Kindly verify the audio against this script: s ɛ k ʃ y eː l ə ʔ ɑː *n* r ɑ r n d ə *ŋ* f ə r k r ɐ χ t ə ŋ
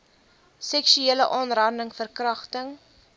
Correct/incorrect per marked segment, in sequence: correct, correct

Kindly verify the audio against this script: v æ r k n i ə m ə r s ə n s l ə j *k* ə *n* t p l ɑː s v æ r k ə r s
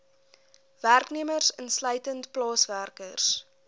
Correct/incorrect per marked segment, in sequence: incorrect: t, correct

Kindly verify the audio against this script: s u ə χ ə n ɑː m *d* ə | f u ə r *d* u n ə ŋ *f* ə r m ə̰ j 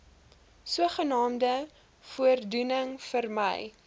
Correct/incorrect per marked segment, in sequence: correct, correct, correct

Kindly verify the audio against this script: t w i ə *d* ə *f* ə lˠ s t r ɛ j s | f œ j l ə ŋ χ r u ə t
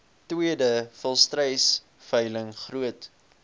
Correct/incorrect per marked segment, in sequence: correct, correct

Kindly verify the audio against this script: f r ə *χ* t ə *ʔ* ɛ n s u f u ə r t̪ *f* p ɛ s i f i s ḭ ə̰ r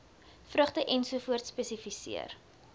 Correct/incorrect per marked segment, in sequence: correct, correct, incorrect: s

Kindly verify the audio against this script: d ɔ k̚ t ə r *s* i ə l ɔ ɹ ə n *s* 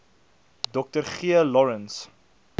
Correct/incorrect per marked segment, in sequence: incorrect: χ, correct

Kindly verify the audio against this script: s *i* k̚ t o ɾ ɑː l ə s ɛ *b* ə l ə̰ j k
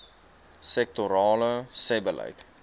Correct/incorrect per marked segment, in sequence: incorrect: ɛ, correct

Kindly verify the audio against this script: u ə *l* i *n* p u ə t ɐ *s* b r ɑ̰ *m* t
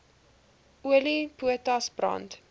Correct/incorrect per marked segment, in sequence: correct, incorrect: none, correct, incorrect: n

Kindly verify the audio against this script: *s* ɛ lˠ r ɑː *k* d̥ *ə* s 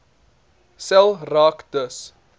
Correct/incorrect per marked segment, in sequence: correct, correct, correct

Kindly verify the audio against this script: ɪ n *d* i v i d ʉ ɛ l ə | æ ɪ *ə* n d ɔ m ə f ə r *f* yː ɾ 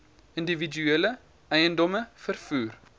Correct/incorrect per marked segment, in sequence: correct, correct, correct

